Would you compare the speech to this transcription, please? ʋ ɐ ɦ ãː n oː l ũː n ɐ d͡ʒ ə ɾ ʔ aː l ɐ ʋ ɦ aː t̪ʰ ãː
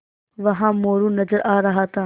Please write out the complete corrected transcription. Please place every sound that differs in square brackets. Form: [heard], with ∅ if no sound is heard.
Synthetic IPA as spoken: ʋ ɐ ɦ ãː [m] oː [ɾ] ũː n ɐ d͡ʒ ə ɾ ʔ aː [ɾ] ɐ [∅] ɦ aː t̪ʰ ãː